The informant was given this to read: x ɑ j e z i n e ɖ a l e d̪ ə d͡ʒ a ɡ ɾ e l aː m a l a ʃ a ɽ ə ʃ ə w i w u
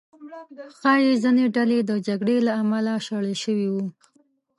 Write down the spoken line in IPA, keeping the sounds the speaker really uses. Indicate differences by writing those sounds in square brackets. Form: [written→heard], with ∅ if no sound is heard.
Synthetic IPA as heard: x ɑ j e z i n e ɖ a l e d̪ ə d͡ʒ a ɡ [ɾ→ɽ] e l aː m a l a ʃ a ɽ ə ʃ ə w i w u